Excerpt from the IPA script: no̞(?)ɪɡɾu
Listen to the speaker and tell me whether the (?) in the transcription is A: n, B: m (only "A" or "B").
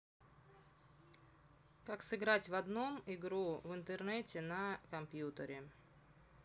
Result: B